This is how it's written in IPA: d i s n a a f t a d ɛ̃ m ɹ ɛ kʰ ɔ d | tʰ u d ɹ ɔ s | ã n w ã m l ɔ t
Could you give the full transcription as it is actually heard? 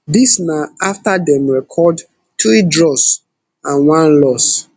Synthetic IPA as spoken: d i s n a a f t a d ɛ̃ m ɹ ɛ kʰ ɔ d | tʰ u d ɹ ɔ s | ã n w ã n l ɔ s